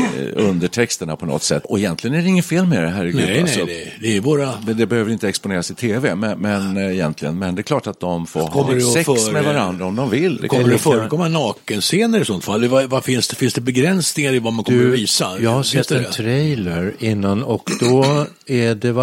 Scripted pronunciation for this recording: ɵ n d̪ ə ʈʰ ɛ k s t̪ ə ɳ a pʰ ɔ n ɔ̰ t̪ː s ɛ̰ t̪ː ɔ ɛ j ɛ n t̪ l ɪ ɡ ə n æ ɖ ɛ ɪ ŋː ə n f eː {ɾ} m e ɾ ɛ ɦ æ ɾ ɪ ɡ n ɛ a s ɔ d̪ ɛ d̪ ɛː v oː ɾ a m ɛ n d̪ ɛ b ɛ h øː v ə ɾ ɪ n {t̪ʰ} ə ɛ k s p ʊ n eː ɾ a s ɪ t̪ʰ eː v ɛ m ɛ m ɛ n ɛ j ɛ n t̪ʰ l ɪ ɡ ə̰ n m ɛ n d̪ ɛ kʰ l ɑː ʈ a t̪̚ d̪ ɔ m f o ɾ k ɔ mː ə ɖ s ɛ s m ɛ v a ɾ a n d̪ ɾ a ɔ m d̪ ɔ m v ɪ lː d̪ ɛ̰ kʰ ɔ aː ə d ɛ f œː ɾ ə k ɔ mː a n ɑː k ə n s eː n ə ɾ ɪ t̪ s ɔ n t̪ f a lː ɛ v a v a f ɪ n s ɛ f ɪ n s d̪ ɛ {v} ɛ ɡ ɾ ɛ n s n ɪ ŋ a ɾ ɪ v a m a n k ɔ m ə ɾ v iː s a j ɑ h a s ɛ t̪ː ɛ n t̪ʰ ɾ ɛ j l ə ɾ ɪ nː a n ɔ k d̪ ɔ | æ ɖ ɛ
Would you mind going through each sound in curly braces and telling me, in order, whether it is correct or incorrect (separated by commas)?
incorrect, incorrect, incorrect